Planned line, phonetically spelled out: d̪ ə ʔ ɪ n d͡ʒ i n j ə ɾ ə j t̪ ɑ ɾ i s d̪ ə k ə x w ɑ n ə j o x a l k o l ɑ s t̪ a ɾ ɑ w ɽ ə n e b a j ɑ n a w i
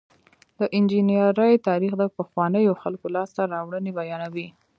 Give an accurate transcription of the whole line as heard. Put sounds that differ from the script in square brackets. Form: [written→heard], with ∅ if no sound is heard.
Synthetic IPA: d̪ ə ʔ ɪ n d͡ʒ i n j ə ɾ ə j t̪ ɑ ɾ i [s→x] d̪ ə [k→p] ə x w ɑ n ə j o x a l k o l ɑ s t̪ a ɾ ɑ w ɽ ə n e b a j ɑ n a w i